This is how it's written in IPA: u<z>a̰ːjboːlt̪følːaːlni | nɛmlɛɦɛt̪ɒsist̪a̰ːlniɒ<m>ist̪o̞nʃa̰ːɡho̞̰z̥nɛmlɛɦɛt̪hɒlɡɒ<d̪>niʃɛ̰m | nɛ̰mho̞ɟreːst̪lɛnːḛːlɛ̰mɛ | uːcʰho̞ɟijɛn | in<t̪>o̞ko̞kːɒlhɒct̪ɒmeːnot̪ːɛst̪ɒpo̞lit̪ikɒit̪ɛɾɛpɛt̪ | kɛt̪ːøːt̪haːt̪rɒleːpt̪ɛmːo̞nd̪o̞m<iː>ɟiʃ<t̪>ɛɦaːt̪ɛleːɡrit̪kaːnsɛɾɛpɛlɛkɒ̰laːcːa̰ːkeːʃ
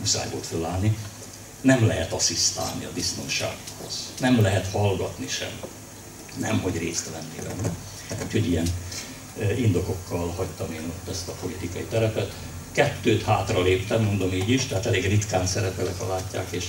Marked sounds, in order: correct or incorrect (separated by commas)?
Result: incorrect, incorrect, incorrect, incorrect, correct, correct